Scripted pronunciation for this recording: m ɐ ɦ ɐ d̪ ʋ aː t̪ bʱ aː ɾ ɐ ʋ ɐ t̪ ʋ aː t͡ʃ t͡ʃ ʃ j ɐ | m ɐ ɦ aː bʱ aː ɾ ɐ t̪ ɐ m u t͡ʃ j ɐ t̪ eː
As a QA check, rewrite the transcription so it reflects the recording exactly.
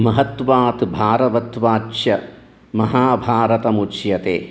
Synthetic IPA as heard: m ɐ ɦ ɐ t̪ ʋ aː t̪ bʱ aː ɾ ɐ ʋ ɐ t̪ ʋ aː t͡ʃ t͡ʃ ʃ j ɐ | m ɐ ɦ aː bʱ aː ɾ ɐ t̪ ɐ m u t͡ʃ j ɐ t̪ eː